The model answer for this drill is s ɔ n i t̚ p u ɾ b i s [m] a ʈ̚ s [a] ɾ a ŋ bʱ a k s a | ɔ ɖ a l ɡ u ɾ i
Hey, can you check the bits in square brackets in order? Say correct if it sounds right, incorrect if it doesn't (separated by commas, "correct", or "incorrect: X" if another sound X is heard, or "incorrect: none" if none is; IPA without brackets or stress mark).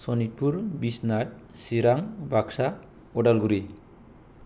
incorrect: n, incorrect: i